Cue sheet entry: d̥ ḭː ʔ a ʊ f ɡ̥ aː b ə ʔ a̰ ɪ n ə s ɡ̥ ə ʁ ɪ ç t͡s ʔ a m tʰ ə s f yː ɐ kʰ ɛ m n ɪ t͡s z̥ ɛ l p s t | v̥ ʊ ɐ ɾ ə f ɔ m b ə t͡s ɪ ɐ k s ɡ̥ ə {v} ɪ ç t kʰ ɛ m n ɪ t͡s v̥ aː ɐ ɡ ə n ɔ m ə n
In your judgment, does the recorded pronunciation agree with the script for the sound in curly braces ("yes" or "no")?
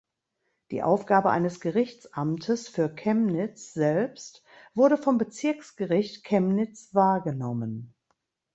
no